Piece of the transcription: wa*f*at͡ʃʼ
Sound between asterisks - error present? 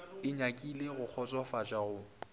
no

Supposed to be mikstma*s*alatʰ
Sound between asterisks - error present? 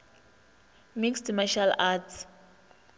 yes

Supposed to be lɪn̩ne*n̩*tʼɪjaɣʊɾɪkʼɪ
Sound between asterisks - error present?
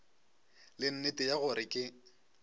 yes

